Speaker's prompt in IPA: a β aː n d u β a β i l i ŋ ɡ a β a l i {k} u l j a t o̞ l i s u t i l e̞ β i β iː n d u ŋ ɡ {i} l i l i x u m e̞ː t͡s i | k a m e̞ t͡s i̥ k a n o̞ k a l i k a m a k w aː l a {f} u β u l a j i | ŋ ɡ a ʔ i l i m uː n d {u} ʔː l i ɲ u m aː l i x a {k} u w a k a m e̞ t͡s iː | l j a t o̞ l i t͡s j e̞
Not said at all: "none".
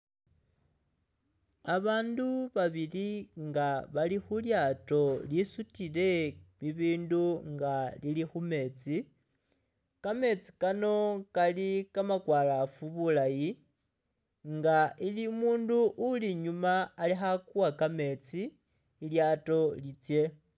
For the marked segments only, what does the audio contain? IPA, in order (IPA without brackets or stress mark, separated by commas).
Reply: x, a, f, u, k